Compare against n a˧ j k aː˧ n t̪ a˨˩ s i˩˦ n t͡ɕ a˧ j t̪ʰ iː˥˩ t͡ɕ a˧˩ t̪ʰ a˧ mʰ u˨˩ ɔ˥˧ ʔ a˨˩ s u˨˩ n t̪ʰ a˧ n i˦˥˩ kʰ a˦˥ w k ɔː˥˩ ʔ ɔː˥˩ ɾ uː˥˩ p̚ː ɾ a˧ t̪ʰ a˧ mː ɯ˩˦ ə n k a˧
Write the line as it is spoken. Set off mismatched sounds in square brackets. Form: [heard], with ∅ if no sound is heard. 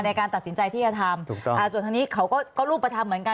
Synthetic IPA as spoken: n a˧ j k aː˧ n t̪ a˨˩ s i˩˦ n t͡ɕ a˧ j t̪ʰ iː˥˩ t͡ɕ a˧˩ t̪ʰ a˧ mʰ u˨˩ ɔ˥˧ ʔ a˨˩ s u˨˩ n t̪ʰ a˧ n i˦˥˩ kʰ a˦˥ w k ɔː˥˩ [k] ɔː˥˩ ɾ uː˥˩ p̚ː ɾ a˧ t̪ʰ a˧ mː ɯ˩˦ ə n k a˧